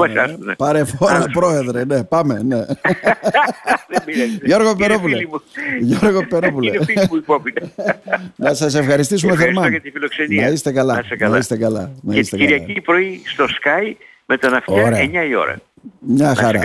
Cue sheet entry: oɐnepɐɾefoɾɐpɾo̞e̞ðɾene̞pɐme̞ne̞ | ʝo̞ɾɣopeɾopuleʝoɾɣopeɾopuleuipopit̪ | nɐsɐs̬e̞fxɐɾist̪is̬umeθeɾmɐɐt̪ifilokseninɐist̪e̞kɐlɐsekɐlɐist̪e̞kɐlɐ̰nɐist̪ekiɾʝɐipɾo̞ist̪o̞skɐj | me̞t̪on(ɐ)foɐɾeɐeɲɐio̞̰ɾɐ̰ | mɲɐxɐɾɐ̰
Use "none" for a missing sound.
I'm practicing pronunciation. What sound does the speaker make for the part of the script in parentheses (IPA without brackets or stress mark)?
ɐ